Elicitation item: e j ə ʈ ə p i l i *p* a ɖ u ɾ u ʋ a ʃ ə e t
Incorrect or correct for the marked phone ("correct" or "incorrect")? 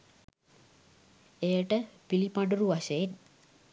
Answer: correct